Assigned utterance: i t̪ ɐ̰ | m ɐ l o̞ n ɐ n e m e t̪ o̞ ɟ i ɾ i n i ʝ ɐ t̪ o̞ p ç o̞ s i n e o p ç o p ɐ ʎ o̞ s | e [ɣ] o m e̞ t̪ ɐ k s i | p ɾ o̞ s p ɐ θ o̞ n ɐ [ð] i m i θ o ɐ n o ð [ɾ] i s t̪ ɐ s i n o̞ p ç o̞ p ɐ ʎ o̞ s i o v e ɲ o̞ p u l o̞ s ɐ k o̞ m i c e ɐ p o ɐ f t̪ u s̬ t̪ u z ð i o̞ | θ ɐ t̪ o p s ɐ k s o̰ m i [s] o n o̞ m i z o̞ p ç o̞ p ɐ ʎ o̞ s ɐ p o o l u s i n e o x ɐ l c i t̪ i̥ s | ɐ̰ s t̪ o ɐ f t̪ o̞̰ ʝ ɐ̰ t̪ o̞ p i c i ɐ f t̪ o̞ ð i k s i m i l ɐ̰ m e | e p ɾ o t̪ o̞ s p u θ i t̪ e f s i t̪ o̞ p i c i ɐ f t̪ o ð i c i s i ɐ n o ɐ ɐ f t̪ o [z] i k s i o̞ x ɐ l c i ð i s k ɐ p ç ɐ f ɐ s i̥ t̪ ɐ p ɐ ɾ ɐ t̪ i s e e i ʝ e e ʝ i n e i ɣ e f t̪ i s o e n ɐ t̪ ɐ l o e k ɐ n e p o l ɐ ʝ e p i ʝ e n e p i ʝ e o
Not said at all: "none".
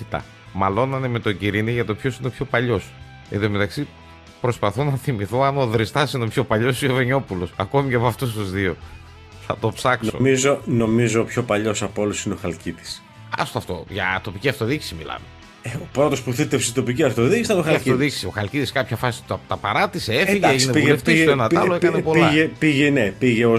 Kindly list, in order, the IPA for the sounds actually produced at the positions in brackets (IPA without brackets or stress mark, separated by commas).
ð, θ, ɾ, z, ð